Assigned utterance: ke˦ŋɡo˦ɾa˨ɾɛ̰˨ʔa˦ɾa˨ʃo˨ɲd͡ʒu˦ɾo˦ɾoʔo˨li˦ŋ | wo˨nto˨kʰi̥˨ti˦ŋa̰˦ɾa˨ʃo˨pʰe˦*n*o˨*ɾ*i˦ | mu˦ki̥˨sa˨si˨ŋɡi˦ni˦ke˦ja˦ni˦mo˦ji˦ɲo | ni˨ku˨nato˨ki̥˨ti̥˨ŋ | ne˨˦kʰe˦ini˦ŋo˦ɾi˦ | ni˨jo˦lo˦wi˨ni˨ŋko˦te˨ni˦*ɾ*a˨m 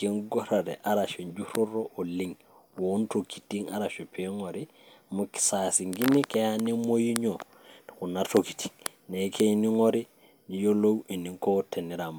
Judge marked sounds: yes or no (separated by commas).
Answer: no, yes, yes